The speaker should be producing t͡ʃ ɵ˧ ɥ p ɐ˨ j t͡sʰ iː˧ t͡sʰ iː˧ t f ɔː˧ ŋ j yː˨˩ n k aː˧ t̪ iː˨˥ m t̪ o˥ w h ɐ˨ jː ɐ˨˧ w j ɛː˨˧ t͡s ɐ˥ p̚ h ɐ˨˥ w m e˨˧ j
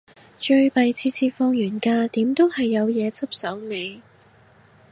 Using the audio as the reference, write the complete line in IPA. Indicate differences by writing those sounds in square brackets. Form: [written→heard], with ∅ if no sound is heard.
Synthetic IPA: t͡ʃ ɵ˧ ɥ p ɐ˨ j t͡sʰ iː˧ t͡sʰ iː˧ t f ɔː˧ ŋ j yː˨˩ n k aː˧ t̪ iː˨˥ m t̪ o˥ w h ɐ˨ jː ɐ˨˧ w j ɛː˨˧ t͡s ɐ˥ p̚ [h→s] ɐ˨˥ w m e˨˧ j